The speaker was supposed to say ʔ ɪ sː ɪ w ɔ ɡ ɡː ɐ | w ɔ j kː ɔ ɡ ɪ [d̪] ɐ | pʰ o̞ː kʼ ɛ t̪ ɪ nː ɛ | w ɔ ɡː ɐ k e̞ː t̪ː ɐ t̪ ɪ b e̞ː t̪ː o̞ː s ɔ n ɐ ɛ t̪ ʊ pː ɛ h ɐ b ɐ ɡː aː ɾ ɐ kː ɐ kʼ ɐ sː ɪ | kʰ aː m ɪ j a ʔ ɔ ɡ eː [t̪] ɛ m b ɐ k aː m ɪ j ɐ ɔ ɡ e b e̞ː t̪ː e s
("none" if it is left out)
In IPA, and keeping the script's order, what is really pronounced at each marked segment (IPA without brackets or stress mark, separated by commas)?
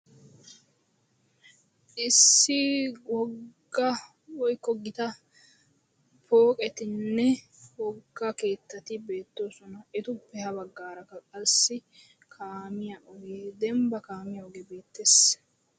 t̪, d̪